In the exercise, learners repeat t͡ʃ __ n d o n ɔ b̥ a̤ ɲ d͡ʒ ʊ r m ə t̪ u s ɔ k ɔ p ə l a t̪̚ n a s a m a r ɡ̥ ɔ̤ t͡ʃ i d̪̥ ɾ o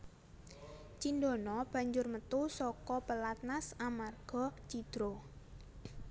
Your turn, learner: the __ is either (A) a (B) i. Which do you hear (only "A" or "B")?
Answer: B